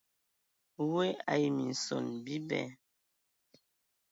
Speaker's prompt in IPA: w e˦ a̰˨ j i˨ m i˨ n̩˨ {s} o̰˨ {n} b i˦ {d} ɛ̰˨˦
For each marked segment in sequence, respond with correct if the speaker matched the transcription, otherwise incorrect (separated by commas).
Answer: correct, correct, incorrect